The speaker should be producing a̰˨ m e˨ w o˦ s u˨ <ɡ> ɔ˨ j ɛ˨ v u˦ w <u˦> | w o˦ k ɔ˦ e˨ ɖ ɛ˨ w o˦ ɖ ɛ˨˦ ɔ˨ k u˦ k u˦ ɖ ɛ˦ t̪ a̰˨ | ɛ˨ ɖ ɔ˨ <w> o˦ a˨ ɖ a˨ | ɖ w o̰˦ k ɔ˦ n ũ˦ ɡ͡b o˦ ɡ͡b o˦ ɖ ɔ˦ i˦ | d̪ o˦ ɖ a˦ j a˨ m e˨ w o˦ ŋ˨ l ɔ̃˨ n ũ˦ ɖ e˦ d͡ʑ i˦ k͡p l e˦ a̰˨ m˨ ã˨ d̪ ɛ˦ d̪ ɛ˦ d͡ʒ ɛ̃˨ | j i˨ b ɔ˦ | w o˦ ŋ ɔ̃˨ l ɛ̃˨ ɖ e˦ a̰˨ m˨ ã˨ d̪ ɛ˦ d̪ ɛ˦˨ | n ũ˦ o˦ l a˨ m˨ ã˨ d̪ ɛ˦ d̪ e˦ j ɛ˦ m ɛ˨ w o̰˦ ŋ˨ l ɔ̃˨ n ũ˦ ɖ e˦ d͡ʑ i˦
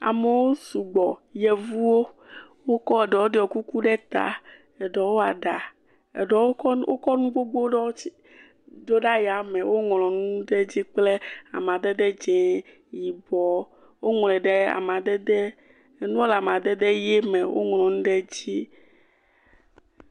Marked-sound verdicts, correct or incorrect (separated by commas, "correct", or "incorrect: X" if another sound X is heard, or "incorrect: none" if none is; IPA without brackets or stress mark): incorrect: ɡ͡b, incorrect: o˦, correct